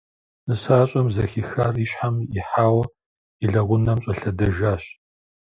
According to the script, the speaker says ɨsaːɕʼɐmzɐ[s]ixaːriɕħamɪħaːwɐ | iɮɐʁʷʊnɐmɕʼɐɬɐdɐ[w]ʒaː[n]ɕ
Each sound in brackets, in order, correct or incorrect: incorrect: x, incorrect: none, incorrect: none

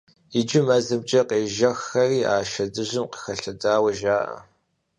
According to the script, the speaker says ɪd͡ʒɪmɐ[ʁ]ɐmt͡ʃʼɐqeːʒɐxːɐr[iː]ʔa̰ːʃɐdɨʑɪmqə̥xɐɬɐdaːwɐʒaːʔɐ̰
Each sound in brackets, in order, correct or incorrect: incorrect: z, correct

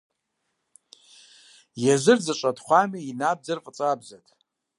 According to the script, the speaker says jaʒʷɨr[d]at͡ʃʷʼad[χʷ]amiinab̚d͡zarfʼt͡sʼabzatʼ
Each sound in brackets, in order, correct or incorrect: incorrect: d͡z, correct

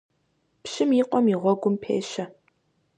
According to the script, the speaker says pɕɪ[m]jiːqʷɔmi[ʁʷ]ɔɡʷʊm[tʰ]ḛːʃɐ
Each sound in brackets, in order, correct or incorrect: correct, correct, incorrect: pʰ

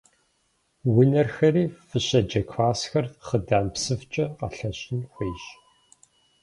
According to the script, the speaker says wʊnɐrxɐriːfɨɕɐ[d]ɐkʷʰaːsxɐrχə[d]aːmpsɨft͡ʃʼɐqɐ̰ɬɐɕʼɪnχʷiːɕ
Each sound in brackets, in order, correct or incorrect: incorrect: d͡ʒ, correct

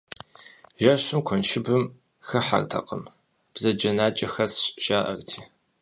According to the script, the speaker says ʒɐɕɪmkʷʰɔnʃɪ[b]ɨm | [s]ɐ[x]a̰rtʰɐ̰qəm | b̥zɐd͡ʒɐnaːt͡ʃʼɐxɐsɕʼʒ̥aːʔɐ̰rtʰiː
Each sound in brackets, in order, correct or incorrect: correct, incorrect: x, incorrect: ħ

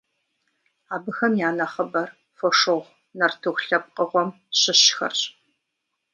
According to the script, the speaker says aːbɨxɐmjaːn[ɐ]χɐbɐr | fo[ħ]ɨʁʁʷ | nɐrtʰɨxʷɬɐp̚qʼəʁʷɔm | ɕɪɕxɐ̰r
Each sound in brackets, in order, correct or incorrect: correct, incorrect: ʂ

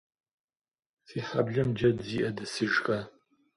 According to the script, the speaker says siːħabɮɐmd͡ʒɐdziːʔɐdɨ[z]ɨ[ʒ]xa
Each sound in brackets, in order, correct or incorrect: incorrect: s, correct

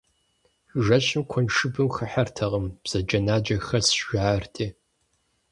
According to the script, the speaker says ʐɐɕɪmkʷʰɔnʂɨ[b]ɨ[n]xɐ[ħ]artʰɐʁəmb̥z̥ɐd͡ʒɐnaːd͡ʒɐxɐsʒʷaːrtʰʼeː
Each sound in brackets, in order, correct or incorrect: correct, incorrect: m, correct

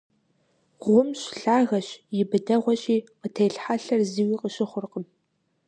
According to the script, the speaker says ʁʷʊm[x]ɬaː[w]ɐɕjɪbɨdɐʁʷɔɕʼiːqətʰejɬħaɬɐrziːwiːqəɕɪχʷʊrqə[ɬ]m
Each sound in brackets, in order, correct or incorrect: incorrect: ɕ, incorrect: ɣ, incorrect: none

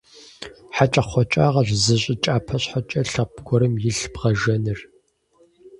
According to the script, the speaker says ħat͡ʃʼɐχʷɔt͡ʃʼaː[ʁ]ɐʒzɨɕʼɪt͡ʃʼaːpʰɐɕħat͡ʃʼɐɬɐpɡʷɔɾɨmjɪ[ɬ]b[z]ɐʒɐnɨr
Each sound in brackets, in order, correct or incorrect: correct, correct, incorrect: ʁ

